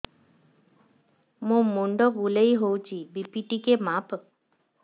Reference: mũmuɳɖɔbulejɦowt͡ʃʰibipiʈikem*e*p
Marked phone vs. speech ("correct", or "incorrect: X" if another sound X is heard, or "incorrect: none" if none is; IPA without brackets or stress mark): incorrect: a